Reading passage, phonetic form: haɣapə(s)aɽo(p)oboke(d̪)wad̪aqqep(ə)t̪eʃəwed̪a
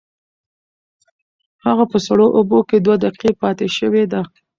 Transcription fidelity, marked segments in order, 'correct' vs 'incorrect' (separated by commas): correct, incorrect, correct, incorrect